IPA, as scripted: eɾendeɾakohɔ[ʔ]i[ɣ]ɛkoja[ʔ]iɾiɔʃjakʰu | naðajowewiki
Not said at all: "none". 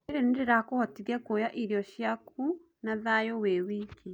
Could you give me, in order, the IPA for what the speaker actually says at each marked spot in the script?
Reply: t, ɣ, ʔ

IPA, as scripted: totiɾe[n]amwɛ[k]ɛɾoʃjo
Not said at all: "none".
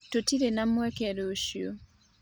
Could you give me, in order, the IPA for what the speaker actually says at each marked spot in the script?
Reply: n, k

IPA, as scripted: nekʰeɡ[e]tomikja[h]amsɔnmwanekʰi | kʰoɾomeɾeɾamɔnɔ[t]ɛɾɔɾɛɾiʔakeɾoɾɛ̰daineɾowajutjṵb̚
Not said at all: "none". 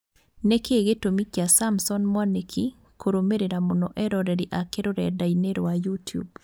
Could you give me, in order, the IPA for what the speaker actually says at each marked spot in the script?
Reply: e, s, ʔ

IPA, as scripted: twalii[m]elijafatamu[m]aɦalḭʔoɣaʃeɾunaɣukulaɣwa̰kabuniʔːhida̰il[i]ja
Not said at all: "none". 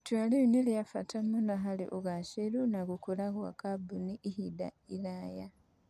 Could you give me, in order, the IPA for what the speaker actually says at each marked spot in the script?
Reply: n, n, a

